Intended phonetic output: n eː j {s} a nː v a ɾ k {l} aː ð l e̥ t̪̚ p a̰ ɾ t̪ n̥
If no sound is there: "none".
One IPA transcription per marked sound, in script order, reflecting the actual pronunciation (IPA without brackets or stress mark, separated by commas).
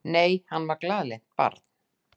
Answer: h, l